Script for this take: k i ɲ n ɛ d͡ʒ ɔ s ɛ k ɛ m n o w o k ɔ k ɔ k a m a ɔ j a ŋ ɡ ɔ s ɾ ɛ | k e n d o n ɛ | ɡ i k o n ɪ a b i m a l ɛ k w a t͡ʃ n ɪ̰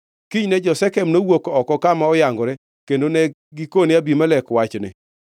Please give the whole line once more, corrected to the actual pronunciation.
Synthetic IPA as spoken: k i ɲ n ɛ d͡ʒ ɔ s ɛ k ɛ m n o w o k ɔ k ɔ k a m a ɔ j a ŋ ɡ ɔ ɾ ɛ | k e n d o n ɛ | ɡ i k o n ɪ a b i m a l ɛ k w a t͡ʃ n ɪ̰